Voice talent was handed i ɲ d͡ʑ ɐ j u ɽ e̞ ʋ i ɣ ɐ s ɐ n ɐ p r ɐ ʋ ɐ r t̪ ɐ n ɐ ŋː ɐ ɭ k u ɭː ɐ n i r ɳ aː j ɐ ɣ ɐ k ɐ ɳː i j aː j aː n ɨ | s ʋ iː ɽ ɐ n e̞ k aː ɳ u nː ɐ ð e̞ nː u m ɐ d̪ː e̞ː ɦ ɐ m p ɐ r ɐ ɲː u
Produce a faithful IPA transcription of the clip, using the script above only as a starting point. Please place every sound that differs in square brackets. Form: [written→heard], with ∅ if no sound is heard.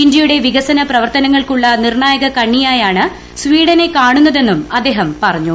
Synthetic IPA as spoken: i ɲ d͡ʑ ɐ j u ɽ e̞ ʋ i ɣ ɐ s ɐ n ɐ p r ɐ ʋ ɐ r t̪ ɐ n ɐ ŋː ɐ ɭ k u ɭː ɐ n i r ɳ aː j ɐ ɣ ɐ k ɐ ɳː i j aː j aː [n→ɳ] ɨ | s ʋ iː ɽ ɐ n e̞ k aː ɳ u nː ɐ ð e̞ nː u m ɐ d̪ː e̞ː ɦ ɐ m p ɐ r ɐ ɲː u